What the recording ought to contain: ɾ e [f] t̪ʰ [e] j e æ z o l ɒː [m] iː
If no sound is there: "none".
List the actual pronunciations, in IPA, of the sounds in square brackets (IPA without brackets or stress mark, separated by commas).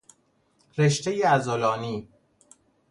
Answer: ʃ, e, n